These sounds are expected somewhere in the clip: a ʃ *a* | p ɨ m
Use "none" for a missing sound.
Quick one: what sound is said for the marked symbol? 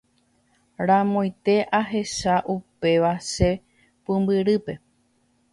e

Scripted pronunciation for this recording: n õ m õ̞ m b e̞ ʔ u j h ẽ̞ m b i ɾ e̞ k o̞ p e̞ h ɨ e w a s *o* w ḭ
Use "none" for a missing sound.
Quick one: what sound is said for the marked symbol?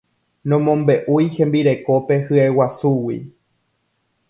u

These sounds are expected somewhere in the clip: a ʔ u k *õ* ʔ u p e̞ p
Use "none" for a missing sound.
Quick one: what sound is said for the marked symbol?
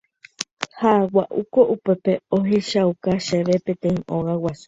o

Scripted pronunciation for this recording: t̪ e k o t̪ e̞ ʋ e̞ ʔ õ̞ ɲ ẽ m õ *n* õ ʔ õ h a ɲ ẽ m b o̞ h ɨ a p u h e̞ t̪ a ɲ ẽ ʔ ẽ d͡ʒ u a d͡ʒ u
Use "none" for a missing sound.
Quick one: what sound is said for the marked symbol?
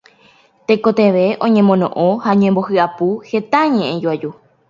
n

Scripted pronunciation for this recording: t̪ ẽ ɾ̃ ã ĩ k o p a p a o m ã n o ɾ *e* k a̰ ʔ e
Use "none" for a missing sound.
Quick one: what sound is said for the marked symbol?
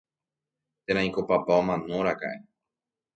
a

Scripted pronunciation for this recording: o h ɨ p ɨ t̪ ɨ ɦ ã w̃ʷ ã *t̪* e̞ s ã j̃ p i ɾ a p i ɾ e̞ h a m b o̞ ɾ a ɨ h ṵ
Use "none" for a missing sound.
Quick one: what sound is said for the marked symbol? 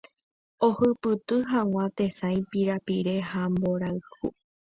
t̪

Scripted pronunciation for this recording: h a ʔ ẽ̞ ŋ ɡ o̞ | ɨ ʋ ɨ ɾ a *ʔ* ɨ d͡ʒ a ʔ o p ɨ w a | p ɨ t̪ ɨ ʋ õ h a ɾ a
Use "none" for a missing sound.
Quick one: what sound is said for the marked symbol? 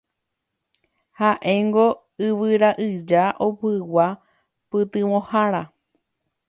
ʔ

